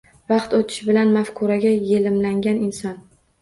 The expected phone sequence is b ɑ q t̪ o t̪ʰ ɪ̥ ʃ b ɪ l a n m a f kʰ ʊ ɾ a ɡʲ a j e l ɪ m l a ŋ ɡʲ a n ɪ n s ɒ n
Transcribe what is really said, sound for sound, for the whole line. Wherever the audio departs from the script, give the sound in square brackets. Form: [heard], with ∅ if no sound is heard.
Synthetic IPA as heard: [v] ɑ q t̪ o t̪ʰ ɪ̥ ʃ b ɪ l a n m a f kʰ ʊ ɾ a ɡʲ a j e l ɪ m l a ŋ ɡʲ a n ɪ n s ɒ n